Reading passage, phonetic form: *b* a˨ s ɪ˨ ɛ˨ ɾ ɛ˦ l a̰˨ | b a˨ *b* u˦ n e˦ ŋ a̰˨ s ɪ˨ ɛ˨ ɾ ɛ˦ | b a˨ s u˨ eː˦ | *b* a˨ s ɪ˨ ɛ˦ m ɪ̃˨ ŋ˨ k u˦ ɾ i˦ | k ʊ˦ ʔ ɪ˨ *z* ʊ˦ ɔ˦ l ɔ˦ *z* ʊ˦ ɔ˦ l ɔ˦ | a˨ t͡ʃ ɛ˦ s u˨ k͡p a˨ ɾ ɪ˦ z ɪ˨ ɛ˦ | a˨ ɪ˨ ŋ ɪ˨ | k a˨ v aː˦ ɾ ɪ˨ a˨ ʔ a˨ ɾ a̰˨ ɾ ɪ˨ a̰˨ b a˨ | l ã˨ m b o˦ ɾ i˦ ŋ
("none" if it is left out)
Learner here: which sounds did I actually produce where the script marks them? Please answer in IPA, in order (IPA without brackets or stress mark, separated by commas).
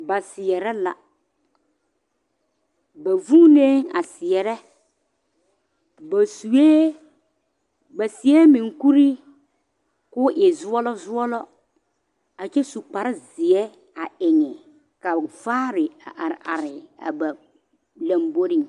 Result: b, v, b, z, z